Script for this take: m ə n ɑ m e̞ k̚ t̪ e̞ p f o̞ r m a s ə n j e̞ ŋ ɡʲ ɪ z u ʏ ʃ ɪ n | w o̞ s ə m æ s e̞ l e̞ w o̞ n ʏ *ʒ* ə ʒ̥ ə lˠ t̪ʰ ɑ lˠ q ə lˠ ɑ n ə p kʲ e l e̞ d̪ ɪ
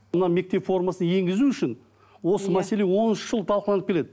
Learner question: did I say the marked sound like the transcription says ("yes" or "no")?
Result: no